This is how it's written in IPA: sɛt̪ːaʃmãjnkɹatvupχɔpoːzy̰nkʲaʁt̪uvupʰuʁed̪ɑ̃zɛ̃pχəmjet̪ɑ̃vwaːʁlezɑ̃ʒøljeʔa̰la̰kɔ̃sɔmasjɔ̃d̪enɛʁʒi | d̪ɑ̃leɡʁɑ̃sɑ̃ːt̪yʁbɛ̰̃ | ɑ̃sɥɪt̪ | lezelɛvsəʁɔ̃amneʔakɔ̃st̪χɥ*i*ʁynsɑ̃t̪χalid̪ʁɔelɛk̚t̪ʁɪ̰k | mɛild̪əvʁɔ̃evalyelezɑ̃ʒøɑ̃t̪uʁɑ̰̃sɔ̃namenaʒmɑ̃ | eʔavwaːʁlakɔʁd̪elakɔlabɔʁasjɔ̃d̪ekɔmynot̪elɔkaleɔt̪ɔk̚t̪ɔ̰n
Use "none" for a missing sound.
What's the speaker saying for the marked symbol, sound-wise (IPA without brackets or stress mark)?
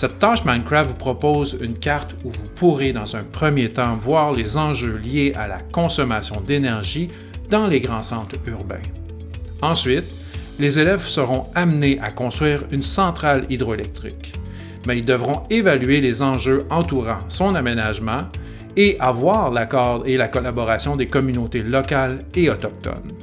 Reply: iː